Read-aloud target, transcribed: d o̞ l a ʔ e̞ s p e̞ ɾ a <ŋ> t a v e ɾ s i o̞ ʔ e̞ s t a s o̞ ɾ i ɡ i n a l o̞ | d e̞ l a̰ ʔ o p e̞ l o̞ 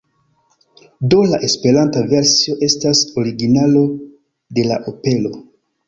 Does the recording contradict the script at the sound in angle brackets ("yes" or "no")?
yes